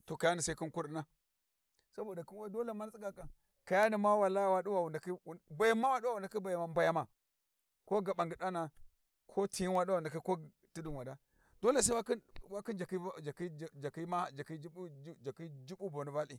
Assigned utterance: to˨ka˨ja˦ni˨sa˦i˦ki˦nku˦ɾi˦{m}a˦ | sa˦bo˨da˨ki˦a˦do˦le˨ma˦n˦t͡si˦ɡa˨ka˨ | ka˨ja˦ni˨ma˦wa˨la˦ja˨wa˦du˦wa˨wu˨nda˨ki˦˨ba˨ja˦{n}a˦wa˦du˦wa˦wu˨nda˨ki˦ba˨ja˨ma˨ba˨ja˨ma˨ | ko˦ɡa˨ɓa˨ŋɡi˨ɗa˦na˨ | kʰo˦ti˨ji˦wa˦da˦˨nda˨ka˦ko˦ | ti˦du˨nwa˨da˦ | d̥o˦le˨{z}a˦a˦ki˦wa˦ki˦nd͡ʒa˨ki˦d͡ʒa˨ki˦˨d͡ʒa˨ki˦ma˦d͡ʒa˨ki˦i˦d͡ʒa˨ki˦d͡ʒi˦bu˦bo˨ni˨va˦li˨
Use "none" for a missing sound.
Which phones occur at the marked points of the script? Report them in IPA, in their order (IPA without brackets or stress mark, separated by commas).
n, m, s